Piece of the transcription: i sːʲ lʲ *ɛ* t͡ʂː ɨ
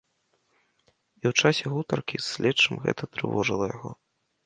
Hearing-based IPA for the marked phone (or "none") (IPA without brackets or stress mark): ɛ